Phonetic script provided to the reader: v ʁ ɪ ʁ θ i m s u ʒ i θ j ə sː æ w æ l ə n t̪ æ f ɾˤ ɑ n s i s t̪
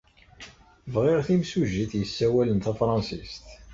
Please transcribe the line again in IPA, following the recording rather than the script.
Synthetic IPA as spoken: v ʁ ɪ ʁ θ i m s u ʒ i θ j ə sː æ w æ l ə n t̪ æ f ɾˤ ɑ n s i s t̪